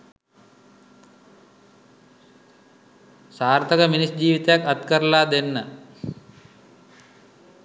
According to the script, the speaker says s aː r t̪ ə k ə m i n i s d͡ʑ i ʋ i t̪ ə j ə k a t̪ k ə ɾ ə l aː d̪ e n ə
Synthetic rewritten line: s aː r t̪ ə k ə m i n i s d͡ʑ iː ʋ i t̪ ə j a k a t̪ k ə ɾ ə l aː d̪ e nː ə